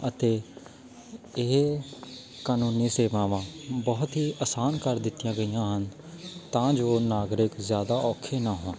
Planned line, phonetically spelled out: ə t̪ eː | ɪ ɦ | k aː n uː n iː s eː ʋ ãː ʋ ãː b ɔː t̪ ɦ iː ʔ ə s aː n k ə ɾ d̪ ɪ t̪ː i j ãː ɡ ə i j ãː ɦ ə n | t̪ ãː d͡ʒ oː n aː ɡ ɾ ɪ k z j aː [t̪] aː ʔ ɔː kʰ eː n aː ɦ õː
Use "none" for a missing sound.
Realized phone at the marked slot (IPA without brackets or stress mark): d̪